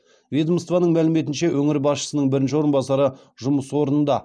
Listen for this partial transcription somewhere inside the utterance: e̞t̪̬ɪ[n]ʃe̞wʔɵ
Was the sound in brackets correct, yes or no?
yes